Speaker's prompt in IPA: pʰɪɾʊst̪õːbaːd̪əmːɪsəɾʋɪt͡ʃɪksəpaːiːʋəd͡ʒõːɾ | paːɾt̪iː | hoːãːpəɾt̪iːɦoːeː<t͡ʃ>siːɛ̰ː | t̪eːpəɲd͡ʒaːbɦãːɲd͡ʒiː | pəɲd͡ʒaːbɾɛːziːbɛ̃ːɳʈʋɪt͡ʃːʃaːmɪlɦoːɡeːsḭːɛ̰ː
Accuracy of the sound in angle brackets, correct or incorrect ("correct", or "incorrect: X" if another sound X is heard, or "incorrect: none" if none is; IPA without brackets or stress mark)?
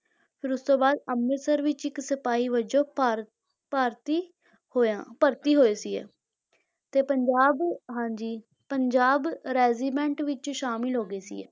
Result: incorrect: none